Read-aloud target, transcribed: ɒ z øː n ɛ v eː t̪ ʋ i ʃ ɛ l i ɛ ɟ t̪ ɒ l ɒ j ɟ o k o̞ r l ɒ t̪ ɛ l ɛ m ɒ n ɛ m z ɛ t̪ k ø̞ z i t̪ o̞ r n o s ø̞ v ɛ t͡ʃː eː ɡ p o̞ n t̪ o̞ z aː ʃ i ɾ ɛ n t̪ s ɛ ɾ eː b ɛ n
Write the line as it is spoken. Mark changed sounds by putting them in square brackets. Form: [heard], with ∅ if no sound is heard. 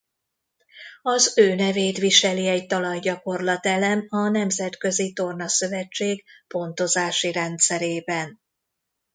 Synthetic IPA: ɒ z øː n ɛ v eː t̪ ʋ i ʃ ɛ l i ɛ ɟ t̪ ɒ l ɒ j ɟ [ɒ] k o̞ r l ɒ t̪ ɛ l ɛ m ɒ n ɛ m z ɛ t̪ k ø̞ z i t̪ o̞ r n [ɒ] s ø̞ v ɛ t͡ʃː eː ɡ p o̞ n t̪ o̞ z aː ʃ i ɾ ɛ n t̪ s ɛ ɾ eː b ɛ n